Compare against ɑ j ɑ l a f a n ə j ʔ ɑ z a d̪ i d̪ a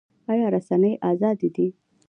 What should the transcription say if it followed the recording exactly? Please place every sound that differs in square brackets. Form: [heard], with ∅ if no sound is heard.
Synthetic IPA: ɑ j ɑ [ɾ] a [s] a n ə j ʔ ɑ z [ɑ] d̪ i d̪ [i]